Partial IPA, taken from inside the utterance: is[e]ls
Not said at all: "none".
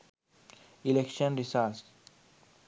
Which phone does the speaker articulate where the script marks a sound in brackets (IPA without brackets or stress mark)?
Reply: a